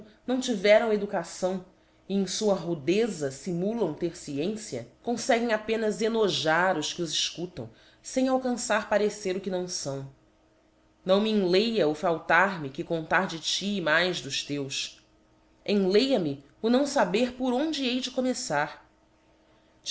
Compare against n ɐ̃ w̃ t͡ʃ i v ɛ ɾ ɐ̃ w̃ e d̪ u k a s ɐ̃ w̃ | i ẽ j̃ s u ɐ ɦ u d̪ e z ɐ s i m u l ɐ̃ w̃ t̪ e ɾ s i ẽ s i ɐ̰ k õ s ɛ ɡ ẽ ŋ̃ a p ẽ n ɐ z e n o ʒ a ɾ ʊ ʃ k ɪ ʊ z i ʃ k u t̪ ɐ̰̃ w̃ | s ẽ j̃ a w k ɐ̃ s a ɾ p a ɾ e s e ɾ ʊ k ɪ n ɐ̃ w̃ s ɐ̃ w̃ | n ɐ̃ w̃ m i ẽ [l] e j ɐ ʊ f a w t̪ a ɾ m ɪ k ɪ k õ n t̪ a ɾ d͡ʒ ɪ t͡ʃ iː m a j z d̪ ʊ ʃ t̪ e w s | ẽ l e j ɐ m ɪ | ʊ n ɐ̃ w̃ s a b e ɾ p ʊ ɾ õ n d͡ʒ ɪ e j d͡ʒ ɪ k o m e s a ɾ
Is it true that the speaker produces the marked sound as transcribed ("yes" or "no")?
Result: yes